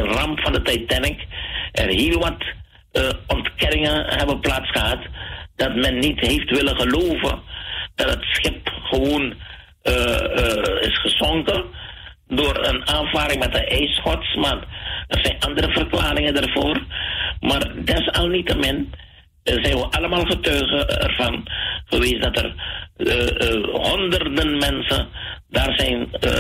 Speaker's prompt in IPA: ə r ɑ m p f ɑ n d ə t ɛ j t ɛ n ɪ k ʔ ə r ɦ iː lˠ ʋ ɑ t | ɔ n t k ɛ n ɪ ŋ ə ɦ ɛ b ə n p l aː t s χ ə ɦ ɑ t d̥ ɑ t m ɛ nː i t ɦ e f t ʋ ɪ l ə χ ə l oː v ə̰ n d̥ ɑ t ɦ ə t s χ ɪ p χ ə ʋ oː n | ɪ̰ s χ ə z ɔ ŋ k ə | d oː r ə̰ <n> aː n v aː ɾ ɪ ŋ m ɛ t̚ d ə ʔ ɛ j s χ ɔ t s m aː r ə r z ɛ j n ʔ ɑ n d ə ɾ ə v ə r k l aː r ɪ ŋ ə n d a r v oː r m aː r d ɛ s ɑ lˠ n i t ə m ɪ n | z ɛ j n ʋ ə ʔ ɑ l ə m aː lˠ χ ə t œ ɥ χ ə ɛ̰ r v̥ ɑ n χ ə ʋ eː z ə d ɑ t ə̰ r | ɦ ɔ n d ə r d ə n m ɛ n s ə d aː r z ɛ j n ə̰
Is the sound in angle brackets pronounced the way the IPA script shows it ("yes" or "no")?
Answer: yes